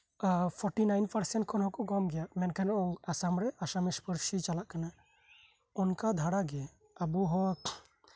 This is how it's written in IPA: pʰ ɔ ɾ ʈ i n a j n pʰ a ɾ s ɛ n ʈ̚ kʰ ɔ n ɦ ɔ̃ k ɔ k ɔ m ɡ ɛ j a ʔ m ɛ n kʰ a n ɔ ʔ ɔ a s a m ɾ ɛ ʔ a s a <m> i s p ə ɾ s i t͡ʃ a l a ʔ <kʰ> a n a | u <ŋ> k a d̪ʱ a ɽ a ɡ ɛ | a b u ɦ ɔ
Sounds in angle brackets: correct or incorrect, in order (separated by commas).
correct, incorrect, incorrect